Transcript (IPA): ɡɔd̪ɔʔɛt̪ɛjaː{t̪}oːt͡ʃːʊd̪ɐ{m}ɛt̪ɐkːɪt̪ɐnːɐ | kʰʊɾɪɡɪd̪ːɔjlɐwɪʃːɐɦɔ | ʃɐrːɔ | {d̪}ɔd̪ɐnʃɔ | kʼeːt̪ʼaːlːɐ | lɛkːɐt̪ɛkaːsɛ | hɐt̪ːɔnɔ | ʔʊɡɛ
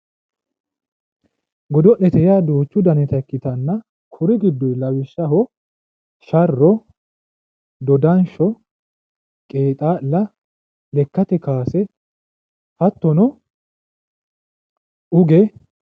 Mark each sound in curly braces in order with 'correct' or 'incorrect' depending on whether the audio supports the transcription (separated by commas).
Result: incorrect, incorrect, correct